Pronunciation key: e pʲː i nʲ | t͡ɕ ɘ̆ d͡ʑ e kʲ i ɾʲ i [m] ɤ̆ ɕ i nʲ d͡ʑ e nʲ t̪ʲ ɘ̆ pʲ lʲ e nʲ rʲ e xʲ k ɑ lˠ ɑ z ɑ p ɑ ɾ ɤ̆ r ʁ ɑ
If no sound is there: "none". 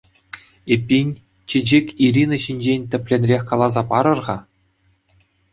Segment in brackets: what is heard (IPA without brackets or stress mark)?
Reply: n